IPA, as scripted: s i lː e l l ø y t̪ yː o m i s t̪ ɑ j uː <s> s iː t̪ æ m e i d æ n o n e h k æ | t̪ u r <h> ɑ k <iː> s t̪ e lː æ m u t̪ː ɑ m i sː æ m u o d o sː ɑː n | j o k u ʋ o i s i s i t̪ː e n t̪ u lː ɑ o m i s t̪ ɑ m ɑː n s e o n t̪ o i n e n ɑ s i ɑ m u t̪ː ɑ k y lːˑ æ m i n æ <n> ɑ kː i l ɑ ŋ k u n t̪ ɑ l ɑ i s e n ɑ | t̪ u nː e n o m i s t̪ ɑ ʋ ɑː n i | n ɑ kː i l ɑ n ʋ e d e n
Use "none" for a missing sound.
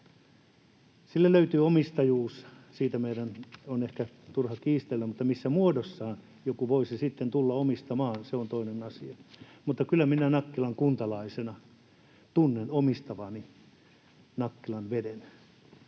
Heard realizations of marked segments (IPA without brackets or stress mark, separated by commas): s, h, iː, n